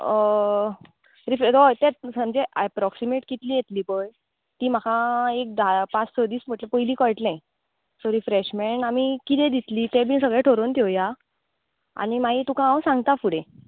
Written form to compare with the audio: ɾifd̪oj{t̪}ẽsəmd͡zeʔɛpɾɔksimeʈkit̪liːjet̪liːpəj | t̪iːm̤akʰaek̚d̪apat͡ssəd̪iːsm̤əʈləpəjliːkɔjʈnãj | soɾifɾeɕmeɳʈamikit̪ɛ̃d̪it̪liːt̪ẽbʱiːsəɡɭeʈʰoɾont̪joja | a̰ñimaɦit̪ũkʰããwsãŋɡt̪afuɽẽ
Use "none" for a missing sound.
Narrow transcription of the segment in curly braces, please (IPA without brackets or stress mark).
t̪